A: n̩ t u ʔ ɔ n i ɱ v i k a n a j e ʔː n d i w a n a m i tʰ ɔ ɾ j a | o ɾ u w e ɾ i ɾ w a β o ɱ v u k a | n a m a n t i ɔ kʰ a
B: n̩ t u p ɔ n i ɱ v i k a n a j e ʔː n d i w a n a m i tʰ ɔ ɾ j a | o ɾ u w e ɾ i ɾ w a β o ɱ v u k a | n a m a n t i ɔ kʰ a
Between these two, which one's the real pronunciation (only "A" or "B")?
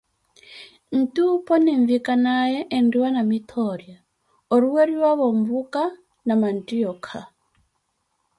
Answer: B